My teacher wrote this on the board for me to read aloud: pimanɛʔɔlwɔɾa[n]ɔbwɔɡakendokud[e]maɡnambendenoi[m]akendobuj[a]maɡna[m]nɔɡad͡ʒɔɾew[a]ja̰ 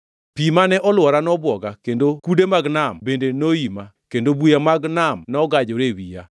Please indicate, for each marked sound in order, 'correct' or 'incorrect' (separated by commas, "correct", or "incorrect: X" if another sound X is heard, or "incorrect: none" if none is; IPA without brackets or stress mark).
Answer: correct, correct, correct, correct, correct, incorrect: i